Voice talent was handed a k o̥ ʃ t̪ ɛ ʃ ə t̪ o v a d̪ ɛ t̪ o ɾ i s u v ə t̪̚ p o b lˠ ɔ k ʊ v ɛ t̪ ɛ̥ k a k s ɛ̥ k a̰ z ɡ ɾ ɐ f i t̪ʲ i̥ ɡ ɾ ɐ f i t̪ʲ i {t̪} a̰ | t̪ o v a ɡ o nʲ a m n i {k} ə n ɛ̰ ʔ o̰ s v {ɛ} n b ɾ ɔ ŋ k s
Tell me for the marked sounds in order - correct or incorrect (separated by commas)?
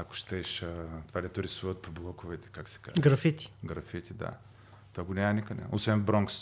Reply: incorrect, correct, correct